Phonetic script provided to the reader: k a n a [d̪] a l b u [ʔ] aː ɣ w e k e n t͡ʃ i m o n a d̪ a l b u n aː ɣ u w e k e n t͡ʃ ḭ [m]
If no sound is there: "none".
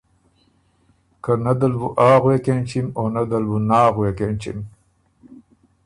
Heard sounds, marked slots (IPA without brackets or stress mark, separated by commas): d̪, ʔ, m